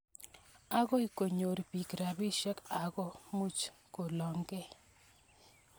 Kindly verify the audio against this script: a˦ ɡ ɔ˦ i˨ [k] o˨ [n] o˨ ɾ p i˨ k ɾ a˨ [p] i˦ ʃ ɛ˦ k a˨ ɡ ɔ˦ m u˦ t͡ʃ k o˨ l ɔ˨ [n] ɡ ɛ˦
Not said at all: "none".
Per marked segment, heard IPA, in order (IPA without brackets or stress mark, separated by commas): k, ɲ, b, ŋ